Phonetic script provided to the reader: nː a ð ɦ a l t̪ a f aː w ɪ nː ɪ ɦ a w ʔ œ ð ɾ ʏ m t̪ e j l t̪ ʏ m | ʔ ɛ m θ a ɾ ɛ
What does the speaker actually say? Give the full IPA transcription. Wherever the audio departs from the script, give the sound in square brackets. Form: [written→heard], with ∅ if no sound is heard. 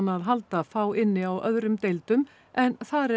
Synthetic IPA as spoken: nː a ð ɦ a l t̪ a f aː w ɪ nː ɪ [ɦ→∅] a w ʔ œ ð ɾ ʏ m t̪ e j l t̪ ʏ m | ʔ ɛ [m→n] θ a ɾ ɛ